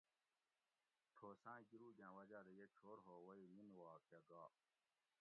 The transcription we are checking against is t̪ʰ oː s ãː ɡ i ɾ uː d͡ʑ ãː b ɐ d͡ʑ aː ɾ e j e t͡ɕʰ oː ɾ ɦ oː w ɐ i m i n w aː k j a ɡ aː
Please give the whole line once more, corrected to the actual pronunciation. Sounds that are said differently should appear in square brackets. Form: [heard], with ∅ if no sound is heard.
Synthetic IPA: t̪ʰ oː s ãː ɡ i ɾ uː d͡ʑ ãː [w] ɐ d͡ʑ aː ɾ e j e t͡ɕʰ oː ɾ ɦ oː w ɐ i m i n w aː k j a ɡ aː